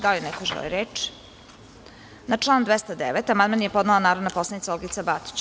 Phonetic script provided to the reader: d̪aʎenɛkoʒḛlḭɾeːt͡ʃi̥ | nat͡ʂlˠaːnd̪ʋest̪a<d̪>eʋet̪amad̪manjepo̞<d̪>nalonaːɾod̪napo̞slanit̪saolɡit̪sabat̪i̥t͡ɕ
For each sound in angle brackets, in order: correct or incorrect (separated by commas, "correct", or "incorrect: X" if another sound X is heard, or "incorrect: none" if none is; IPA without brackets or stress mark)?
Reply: correct, correct